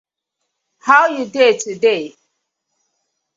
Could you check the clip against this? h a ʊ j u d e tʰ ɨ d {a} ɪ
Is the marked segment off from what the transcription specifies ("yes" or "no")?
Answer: yes